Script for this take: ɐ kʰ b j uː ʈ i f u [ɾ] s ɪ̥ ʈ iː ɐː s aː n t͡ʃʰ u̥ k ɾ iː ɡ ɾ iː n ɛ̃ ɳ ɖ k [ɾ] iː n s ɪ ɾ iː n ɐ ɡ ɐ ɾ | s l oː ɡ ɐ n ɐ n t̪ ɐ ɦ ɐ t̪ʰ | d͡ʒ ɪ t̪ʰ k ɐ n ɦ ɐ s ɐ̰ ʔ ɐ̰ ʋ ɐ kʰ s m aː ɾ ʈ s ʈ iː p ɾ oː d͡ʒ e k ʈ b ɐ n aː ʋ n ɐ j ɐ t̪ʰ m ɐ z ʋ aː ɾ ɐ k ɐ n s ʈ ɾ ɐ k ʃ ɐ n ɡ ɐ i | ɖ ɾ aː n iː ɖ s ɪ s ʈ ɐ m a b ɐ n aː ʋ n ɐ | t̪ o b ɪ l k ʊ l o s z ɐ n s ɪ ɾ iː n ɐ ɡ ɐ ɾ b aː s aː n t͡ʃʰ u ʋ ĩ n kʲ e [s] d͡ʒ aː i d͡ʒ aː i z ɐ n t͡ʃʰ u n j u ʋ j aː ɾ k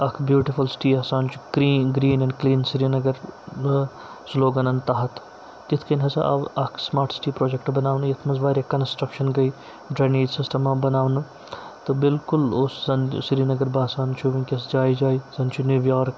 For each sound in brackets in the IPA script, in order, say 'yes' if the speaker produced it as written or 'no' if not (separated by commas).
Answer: no, no, yes